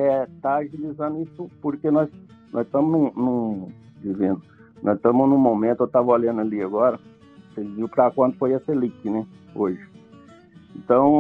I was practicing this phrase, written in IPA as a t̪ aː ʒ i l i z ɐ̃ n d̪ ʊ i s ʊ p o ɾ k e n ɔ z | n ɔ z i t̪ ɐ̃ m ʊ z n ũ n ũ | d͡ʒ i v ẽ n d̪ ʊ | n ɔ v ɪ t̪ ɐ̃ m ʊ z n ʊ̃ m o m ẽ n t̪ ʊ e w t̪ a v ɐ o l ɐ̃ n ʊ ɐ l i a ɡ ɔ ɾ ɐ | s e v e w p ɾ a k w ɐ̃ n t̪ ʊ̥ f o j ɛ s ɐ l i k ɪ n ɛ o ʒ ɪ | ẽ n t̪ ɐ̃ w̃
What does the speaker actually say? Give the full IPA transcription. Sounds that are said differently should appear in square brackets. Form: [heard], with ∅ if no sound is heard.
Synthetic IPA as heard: [ɛ] t̪ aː ʒ i l i z ɐ̃ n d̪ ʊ i s ʊ p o ɾ k e n ɔ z | n ɔ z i t̪ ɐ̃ m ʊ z n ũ n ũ | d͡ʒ i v ẽ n d̪ ʊ | n ɔ [z] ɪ t̪ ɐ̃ m ʊ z n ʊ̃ m o m ẽ n t̪ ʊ e w t̪ a v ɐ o l ɐ̃ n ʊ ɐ l i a ɡ ɔ ɾ ɐ | s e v [i] w p ɾ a k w ɐ̃ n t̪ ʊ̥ f o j ɛ s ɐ l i k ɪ n ɛ o ʒ ɪ | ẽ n t̪ ɐ̃ w̃